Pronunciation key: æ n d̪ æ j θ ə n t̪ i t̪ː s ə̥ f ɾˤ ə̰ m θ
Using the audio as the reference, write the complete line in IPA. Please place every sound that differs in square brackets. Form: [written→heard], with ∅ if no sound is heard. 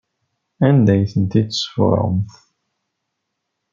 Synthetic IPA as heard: æ n d̪ æ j θ ə n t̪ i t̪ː s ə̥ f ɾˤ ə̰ m θ